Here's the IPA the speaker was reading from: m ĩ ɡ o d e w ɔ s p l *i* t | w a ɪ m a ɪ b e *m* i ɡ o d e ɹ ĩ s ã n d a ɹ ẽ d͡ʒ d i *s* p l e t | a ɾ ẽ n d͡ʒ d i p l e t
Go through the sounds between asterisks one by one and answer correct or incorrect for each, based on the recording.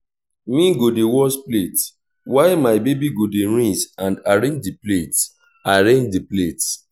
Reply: incorrect, incorrect, incorrect

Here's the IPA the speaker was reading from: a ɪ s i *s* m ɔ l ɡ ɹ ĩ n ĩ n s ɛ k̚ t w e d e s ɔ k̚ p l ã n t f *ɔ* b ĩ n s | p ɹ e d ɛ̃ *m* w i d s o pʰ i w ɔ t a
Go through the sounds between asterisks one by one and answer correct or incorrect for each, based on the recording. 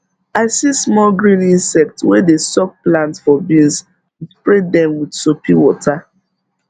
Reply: correct, correct, correct

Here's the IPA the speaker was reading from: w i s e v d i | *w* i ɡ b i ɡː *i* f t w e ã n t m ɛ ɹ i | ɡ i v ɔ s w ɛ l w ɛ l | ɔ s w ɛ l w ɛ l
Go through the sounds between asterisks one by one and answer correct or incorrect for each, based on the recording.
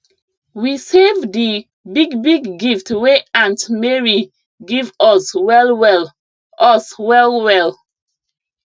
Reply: incorrect, correct

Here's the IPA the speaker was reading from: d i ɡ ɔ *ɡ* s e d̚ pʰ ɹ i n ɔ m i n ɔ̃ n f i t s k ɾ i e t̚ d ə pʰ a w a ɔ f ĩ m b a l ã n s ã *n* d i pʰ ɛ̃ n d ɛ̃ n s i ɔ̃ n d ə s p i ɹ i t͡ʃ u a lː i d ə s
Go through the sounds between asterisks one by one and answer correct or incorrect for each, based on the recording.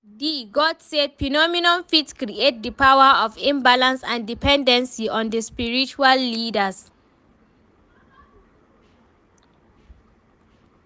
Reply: incorrect, correct

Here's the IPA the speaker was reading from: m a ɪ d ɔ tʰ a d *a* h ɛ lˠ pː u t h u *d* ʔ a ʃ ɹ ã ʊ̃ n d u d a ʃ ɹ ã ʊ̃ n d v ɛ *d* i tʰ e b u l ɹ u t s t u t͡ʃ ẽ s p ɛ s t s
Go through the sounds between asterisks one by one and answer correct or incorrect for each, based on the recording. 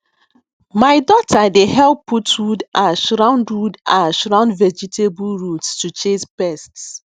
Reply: incorrect, correct, incorrect

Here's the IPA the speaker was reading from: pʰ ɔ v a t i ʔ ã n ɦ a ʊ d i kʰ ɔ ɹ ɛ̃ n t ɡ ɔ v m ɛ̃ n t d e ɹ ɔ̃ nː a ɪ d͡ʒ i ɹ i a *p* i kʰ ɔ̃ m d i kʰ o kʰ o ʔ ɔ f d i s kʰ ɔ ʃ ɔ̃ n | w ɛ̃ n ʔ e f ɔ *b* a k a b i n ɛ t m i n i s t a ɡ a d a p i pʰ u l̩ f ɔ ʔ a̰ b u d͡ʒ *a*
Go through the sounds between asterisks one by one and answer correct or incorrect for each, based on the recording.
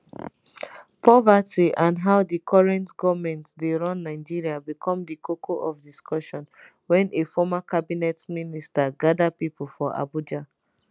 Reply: incorrect, incorrect, correct

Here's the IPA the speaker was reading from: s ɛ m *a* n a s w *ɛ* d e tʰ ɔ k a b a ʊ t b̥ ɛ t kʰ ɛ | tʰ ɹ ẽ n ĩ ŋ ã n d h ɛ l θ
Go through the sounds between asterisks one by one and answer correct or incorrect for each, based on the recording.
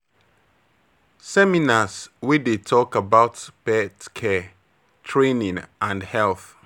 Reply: incorrect, incorrect

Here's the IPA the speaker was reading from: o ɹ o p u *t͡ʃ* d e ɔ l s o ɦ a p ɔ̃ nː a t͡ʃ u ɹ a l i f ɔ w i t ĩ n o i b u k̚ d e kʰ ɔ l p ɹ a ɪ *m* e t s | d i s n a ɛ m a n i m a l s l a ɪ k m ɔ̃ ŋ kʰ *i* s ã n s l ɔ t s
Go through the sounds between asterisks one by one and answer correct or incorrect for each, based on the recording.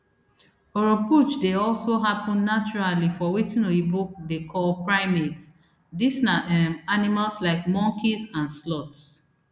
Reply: correct, correct, correct

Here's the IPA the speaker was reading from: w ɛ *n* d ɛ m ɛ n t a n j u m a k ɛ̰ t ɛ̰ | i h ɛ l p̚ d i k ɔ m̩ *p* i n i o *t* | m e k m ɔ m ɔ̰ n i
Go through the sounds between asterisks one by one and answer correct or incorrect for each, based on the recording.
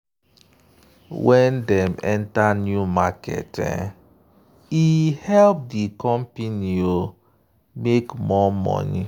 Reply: correct, correct, incorrect

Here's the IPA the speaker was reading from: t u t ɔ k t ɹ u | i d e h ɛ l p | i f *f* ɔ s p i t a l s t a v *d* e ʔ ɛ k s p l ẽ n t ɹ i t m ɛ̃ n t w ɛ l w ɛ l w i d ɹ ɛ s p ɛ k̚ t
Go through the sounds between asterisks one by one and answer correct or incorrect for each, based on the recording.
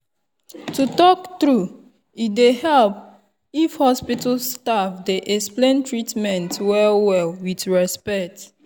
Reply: incorrect, correct

